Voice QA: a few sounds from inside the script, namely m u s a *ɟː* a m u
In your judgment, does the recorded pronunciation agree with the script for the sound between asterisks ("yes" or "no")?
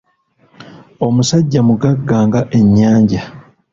yes